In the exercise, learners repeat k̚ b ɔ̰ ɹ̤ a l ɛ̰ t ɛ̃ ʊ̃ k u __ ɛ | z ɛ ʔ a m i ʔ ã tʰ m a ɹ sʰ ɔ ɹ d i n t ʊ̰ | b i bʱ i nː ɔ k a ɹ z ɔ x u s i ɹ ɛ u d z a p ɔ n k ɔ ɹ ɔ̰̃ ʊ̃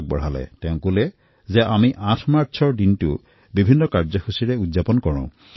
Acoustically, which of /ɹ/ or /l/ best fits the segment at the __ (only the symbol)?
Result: l